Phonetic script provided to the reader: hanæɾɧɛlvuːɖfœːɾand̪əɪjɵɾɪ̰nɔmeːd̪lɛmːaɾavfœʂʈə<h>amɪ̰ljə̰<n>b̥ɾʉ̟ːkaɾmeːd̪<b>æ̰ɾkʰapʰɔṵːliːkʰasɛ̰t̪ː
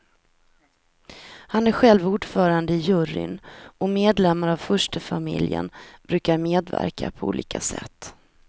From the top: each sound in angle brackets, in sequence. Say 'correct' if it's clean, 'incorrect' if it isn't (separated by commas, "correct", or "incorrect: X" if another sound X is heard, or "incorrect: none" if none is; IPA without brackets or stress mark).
incorrect: f, correct, incorrect: v